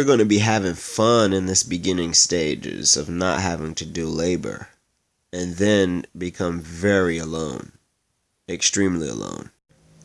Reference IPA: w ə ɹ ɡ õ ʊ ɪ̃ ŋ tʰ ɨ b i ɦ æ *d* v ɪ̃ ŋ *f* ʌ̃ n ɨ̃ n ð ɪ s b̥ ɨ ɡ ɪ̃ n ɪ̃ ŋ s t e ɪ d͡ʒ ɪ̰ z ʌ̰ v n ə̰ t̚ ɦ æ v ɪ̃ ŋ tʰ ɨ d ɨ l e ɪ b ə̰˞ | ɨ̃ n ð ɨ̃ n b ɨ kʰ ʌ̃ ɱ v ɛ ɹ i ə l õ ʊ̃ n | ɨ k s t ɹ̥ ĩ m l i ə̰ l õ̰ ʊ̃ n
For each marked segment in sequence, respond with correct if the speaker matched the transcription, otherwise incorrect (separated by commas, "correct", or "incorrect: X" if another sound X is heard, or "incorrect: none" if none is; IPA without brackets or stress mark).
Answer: incorrect: none, correct